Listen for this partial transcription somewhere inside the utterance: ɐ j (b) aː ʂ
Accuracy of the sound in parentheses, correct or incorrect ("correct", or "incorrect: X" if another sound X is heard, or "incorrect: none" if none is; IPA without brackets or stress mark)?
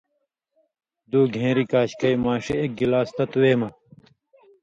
incorrect: m